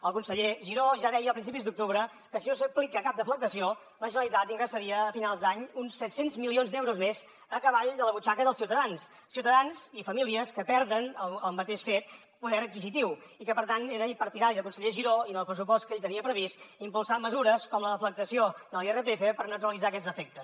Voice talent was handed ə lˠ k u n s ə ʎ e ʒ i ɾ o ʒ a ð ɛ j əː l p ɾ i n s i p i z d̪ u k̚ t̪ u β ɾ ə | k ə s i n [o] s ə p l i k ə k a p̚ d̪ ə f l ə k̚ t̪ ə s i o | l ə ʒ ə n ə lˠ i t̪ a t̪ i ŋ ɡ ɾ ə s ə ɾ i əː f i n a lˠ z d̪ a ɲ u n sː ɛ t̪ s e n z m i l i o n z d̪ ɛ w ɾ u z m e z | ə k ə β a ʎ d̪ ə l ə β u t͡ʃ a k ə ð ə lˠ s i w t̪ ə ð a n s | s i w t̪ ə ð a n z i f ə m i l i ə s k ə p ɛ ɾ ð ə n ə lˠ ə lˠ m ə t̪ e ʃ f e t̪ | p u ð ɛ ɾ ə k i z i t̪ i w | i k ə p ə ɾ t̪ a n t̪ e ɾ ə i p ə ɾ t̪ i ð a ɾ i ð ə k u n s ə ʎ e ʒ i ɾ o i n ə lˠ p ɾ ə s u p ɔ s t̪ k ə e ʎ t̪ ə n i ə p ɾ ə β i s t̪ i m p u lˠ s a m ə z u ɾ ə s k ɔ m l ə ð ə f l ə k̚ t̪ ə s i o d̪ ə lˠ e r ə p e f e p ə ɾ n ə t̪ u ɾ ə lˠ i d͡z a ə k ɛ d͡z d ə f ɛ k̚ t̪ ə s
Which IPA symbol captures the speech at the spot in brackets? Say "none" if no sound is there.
o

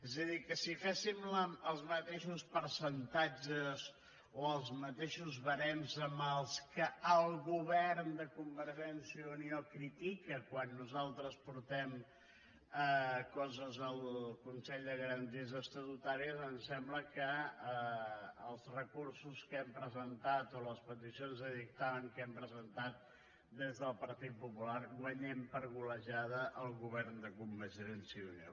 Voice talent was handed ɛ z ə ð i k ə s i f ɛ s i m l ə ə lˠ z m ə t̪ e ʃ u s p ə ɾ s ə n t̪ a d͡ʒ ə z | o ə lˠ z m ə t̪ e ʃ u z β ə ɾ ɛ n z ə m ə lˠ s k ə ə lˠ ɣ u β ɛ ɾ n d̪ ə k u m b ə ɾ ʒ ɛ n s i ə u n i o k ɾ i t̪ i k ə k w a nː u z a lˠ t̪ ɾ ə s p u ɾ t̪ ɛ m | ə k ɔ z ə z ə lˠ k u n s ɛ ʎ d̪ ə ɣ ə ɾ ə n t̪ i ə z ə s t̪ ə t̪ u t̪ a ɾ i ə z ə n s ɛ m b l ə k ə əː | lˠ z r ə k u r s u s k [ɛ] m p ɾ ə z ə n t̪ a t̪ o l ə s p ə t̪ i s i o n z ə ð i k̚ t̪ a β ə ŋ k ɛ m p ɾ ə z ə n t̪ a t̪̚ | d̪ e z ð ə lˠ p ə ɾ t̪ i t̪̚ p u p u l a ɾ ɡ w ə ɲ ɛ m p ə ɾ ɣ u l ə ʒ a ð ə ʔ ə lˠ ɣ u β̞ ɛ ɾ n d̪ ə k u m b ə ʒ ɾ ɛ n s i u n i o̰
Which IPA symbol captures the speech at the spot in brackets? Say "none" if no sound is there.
ɛ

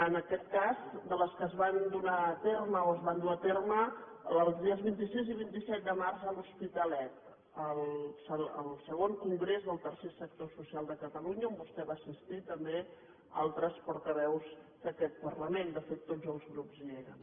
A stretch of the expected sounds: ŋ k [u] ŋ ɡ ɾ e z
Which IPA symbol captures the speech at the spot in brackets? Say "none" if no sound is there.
u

